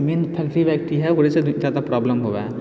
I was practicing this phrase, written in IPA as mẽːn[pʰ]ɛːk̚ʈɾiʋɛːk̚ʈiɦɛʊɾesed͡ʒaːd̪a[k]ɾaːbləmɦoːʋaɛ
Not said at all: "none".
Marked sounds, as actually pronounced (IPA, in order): pʰ, p

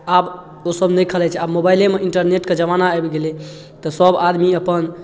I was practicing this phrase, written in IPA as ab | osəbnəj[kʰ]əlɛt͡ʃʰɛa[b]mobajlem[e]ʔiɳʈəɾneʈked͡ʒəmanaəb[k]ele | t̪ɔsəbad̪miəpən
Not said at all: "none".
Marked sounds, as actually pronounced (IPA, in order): kʰ, b, e, ɡ

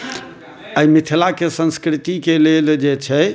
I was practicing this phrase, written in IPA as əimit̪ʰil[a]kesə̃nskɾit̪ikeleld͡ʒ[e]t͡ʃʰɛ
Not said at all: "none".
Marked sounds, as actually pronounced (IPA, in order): a, e

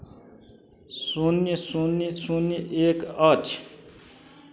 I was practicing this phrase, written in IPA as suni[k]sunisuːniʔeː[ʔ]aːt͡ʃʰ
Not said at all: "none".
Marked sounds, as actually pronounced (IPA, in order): none, k

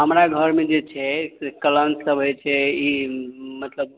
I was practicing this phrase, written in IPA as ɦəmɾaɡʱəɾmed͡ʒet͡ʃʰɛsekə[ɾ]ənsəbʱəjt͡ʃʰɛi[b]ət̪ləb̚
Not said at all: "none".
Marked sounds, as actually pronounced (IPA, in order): l, m

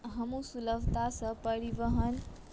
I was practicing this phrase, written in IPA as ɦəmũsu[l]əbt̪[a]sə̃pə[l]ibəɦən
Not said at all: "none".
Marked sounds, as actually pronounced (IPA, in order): l, a, ɾ

